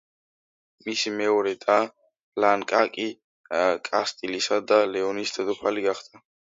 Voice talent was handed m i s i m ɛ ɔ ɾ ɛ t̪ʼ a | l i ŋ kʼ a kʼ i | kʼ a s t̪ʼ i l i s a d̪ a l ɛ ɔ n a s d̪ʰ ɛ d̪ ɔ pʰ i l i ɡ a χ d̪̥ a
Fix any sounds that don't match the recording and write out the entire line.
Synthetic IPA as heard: m i s i m ɛ ɔ ɾ ɛ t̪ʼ a | l a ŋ kʼ a kʼ i | kʼ a s t̪ʼ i l i s a d̪ a l ɛ ɔ n i s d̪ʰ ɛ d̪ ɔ pʰ a l i ɡ a χ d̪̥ a